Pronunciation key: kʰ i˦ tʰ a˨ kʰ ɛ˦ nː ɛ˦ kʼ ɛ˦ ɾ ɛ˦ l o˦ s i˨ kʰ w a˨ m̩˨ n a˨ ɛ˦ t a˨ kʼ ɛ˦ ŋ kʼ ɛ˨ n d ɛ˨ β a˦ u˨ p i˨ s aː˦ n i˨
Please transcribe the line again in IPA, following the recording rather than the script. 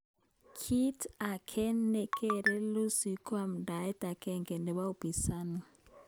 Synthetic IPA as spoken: kʰ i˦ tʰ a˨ kʰ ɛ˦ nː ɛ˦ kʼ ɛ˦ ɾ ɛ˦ l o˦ s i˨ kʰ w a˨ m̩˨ d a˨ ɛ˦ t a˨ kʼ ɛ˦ ŋ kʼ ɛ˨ n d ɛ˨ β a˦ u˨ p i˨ s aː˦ n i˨